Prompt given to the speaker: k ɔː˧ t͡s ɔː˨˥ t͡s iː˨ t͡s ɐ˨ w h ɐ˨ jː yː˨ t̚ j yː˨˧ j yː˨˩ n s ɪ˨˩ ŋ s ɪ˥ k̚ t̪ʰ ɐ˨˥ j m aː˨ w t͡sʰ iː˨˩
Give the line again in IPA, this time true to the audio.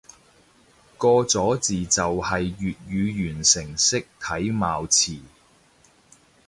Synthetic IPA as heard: k ɔː˧ t͡s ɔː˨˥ t͡s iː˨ t͡s ɐ˨ w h ɐ˨ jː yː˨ t̚ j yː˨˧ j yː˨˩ n s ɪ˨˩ ŋ s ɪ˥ k̚ t̪ʰ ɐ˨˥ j m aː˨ w t͡sʰ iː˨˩